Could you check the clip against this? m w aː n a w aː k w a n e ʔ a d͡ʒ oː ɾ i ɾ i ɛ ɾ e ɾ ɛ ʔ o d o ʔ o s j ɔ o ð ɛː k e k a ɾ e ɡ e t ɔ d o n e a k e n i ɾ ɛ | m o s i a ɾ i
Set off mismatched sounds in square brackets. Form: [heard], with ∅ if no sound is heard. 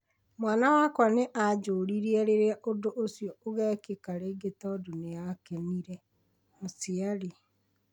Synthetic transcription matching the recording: m w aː n a w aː k w a n e ʔ a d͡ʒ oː ɾ i ɾ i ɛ ɾ e ɾ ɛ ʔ o d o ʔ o s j ɔ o [ɣ] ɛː k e k a ɾ e ɡ e t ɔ d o n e a k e n i ɾ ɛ | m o s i a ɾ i